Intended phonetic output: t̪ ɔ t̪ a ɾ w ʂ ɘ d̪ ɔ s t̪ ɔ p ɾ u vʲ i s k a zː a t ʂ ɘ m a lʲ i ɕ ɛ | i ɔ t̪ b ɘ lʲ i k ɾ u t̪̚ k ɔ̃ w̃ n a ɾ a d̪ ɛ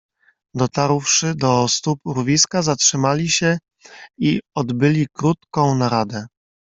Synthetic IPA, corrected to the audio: d̪ ɔ t̪ a ɾ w ʂ ɘ d̪ ɔ s t̪ u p ɾ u vʲ i s k a z a t ʂ ɘ m a lʲ i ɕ ɛ | i ɔ d̪ b ɘ lʲ i k ɾ u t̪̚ k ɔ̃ w̃ n a ɾ a d̪ ɛ

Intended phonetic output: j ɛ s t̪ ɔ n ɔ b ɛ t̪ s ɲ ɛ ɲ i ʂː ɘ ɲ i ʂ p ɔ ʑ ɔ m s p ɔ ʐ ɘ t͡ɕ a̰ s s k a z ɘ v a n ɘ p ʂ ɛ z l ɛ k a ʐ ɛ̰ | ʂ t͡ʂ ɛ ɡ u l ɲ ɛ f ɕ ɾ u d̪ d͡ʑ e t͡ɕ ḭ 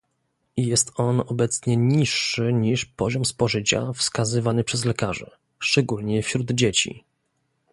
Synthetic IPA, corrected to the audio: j ɛ s t̪ ɔ n ɔ b ɛ t̪ s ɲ ɛ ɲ i ʂː ɘ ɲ i ʂ p ɔ ʑ ɔ m s p ɔ ʐ ɘ t͡ɕ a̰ f s k a z ɘ v a n ɘ p ʂ ɛ z l ɛ k a ʐ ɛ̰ | ʂ t͡ʂ ɛ ɡ u l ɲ ɛ f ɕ ɾ u d̪ d͡ʑ e t͡ɕ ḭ

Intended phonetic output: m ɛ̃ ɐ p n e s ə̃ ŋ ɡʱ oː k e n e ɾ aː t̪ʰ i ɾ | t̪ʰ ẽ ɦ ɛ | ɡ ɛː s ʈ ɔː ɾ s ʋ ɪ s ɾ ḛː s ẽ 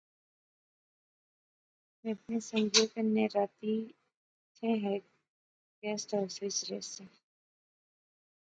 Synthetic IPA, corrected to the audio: m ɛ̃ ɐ p n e s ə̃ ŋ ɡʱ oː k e n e ɾ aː t̪ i | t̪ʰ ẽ ɦ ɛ | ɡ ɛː s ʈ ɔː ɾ s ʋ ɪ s ɾ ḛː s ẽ

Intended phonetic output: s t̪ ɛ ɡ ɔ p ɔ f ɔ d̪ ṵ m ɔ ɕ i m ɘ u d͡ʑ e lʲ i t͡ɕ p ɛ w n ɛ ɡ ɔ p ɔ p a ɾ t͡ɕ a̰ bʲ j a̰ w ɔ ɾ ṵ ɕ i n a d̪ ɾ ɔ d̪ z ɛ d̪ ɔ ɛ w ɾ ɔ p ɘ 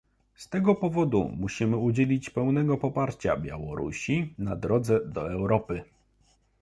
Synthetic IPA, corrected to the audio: s t̪ ɛ ɡ ɔ p ɔ v ɔ d̪ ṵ m u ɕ i m ɘ u d͡ʑ e lʲ i t͡ɕ p ɛ w n ɛ ɡ ɔ p ɔ p a ɾ t͡ɕ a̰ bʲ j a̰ w ɔ ɾ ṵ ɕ i n a d̪ ɾ ɔ d̪ z ɛ d̪ ɔ ɛ w ɾ ɔ p ɘ

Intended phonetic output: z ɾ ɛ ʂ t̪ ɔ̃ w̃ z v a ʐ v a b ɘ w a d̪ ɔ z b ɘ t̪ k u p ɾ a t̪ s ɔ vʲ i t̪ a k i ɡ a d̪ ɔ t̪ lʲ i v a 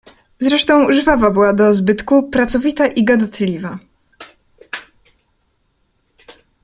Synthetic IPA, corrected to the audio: z ɾ ɛ ʂ t̪ ɔ̃ w̃ ʐ v a v a b ɘ w a d̪ ɔ z b ɘ t̪ k u p ɾ a t̪ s ɔ vʲ i t̪ a ʔ i ɡ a d̪ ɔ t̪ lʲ i v a

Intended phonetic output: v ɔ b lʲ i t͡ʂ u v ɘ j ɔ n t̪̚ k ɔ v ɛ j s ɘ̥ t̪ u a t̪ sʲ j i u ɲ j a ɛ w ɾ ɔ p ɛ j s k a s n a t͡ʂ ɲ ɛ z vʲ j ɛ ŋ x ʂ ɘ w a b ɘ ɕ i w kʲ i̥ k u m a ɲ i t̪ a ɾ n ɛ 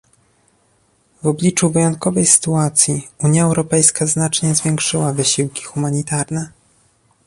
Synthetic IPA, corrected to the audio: v ɔ b lʲ i t͡ʂ u v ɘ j ɔ n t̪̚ k ɔ v ɛ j s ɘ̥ t̪ u a t̪ sʲ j i u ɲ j a ɛ w ɾ ɔ p ɛ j s k a z n a t͡ʂ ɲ ɛ z vʲ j ɛ ŋ k ʂ ɘ w a v ɘ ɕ i w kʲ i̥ x u m a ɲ i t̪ a ɾ n ɛ

